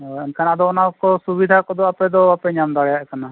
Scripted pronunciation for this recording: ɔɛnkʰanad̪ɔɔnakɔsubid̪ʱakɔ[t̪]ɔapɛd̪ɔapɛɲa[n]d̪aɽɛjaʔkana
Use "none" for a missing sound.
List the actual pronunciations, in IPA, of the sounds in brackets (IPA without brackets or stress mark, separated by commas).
d̪, m